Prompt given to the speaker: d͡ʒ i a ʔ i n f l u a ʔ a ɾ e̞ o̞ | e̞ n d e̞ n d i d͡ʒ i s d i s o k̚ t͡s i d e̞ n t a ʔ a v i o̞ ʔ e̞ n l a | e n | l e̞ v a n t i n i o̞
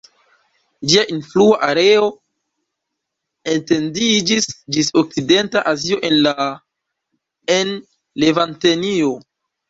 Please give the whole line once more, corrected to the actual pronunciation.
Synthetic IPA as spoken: d͡ʒ i a ʔ i n f l u a ʔ a ɾ e̞ o̞ | e̞ n t e̞ n d i d͡ʒ i s d͡ʒ i s o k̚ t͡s i d e̞ n t a ʔ a z i o̞ ʔ e̞ n l a | e n | l e̞ v a n t e n i o̞